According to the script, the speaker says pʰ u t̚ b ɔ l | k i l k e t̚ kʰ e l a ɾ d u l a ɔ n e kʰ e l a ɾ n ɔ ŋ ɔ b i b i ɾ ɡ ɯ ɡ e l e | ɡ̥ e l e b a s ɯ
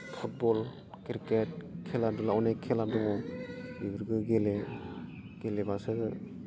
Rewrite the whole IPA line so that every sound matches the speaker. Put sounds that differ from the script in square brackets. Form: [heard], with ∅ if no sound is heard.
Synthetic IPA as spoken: pʰ u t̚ b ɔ l | k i [ɾ] k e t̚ kʰ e l a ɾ d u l a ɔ n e kʰ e l a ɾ [d] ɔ ŋ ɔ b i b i ɾ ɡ ɯ ɡ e l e | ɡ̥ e l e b a s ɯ

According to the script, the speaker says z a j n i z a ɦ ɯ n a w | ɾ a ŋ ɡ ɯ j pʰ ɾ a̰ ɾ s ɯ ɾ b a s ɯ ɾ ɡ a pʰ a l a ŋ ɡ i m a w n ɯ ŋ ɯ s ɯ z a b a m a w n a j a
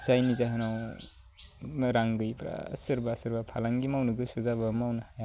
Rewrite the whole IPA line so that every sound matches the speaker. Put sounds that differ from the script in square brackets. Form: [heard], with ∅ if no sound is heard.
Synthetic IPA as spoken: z a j n i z a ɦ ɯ n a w | ɾ a ŋ ɡ ɯ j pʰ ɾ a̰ [∅] s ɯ ɾ b a s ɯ ɾ [b] a pʰ a l a ŋ ɡ i m a w n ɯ [ɡ] ɯ s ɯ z a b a m a w n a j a

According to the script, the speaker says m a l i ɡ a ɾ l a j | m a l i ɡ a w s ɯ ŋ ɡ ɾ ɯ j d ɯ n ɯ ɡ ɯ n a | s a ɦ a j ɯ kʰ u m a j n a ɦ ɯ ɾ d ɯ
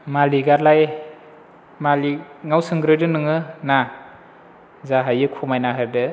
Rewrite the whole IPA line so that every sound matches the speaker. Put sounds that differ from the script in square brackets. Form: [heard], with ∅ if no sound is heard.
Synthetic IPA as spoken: m a l i ɡ a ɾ l a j | m a l i [ŋ] a w s ɯ ŋ ɡ ɾ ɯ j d ɯ n ɯ [ŋ] ɯ n a | [z] a ɦ a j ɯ kʰ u m a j n a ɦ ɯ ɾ d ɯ

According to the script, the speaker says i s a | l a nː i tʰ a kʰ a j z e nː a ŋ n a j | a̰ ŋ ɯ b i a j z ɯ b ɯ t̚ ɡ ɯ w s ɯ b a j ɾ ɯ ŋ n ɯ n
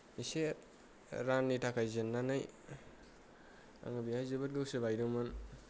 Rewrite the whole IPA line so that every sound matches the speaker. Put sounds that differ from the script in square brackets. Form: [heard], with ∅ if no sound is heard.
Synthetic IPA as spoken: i s [e] | [ɾ] a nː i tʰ a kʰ a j z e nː a [∅] n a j | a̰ ŋ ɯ b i a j z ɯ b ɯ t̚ ɡ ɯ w s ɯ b a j ɾ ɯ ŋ [m] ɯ n

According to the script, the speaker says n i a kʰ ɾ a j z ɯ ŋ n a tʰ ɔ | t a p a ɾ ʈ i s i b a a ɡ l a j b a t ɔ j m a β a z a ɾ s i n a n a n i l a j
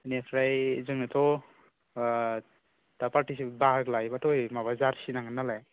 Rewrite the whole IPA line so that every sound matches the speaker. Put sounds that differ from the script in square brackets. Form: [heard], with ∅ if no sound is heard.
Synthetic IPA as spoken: n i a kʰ ɾ a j z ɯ ŋ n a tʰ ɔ | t a p a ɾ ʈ i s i b a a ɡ l a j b a t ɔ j m a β a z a ɾ s i n a [ŋ] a n [a] l a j

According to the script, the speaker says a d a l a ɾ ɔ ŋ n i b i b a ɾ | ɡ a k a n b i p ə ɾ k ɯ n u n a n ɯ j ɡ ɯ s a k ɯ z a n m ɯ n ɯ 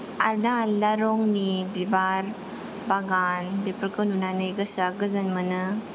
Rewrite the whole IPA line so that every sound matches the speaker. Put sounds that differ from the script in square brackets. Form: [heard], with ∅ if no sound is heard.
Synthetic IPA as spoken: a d a l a ɾ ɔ ŋ n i b i b a ɾ | [b] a [ɡ] a n b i p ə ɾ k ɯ n u n a n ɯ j ɡ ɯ s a [ɡ] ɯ z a n m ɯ n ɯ

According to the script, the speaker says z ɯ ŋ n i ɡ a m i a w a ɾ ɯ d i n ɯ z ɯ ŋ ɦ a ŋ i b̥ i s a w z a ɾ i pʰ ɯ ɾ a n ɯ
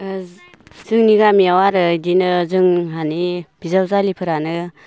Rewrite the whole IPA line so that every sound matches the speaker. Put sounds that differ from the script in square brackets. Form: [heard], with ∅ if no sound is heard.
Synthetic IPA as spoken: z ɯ ŋ n i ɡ a m i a w a ɾ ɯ d i n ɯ z ɯ ŋ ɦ a [n] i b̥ i [z] a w z a [l] i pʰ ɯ ɾ a n ɯ

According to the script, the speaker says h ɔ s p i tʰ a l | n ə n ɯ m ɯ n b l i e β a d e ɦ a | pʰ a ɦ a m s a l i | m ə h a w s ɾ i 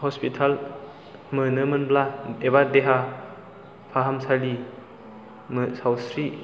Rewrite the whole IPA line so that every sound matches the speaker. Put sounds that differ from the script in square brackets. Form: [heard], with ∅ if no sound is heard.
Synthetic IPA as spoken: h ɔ s p i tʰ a l | [m] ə n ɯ m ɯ n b l [a] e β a d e ɦ a | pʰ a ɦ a m s a l i | m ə [s] a w s ɾ i

